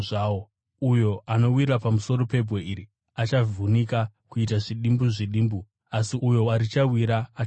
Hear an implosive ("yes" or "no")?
yes